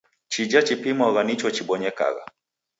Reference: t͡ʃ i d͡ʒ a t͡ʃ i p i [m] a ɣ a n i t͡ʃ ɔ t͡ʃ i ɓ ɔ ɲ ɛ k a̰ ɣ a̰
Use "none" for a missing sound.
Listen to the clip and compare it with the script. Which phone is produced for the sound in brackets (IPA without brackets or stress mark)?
m